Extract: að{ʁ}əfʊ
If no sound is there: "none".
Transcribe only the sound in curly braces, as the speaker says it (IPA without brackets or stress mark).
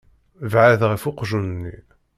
ʁ